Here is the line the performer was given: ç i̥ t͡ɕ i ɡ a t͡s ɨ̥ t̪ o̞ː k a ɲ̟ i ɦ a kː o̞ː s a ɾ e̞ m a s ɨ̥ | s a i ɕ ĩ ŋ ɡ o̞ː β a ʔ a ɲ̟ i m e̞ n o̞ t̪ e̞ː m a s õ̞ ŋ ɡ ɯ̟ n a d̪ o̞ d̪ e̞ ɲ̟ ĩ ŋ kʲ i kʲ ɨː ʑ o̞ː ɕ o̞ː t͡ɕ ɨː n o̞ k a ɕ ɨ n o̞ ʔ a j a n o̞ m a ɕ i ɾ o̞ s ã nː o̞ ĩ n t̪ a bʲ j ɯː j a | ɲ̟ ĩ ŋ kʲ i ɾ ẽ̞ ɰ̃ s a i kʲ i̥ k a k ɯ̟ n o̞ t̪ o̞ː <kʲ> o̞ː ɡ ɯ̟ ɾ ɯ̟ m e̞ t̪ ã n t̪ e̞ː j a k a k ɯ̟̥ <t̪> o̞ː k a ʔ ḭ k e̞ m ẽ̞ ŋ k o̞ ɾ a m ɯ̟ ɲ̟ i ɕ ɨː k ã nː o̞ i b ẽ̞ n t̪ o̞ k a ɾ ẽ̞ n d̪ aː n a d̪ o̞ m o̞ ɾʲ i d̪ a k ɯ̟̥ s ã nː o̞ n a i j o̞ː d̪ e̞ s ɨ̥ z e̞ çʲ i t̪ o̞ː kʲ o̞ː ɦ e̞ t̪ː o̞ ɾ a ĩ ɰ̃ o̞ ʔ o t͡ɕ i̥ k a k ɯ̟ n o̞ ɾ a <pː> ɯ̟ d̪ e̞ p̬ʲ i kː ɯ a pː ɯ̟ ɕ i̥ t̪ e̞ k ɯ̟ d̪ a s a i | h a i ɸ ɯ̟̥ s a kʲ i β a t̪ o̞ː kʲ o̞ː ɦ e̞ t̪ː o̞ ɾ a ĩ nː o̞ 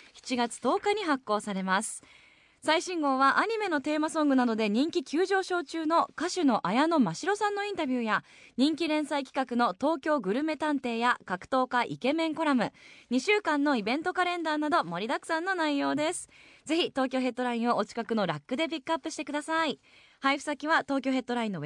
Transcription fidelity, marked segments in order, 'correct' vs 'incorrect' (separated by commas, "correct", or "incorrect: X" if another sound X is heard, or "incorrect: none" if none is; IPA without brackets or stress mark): correct, correct, incorrect: kː